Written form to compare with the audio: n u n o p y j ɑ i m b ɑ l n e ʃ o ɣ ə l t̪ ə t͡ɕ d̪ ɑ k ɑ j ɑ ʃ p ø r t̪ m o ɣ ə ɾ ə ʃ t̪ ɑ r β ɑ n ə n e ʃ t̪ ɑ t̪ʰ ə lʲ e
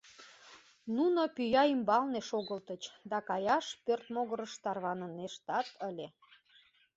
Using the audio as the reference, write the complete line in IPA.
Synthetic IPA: n u n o p y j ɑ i m b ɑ l n e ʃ o ɣ ə l t̪ ə t͡ɕ d̪ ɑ k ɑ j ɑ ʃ p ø r t̪ m o ɣ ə ɾ ə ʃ t̪ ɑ r β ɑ n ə n e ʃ t̪ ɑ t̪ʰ ə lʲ e